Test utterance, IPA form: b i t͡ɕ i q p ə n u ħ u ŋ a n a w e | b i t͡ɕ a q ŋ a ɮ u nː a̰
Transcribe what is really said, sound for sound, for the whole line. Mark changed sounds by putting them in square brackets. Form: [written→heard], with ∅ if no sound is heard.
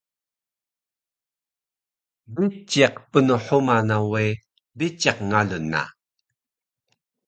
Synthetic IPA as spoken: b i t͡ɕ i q p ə n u ħ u [ŋ→m] a n a w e | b i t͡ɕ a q ŋ a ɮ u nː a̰